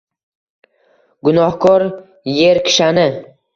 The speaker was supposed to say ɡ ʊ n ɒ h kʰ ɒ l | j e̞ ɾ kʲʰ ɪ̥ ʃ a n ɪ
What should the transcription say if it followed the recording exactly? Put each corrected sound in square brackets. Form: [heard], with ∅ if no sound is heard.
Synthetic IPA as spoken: ɡ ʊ n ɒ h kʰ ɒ [ɾ] | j e̞ ɾ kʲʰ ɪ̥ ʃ a n ɪ